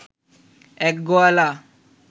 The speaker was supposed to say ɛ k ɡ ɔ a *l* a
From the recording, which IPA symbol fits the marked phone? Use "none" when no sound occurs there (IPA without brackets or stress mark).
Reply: l